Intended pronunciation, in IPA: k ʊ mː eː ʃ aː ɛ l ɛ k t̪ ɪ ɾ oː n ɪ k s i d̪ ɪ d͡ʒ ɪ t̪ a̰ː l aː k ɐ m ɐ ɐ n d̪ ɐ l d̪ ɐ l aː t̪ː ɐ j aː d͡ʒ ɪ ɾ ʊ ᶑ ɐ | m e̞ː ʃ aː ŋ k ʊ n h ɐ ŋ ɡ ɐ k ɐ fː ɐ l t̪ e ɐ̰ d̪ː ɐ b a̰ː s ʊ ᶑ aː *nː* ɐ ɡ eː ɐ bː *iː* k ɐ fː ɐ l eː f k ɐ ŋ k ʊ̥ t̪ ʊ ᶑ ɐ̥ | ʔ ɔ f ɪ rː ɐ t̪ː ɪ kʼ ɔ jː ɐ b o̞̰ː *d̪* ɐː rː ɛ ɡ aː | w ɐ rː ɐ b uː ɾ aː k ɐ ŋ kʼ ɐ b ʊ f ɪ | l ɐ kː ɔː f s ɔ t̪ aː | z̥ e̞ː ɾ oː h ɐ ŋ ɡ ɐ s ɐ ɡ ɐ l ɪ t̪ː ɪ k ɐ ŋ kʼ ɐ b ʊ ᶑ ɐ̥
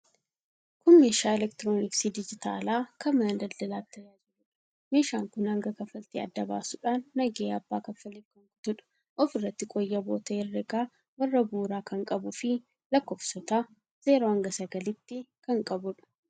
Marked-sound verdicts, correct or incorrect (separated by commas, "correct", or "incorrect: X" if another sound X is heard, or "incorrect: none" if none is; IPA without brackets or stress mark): correct, incorrect: aː, incorrect: t̪